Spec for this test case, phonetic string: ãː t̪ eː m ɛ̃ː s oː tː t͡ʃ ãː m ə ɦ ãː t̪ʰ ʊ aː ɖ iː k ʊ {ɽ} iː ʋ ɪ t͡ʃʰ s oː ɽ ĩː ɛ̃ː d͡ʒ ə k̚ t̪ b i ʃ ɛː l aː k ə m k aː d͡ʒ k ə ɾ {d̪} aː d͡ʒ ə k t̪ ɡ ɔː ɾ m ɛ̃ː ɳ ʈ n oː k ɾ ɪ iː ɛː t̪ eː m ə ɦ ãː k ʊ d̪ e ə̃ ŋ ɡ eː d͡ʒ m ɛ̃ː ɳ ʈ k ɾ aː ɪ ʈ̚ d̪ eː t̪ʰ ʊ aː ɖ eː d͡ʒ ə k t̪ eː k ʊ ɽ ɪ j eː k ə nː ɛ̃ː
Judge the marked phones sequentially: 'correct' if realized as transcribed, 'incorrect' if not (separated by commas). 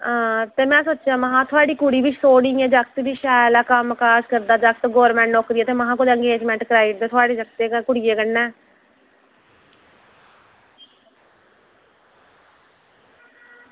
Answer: correct, correct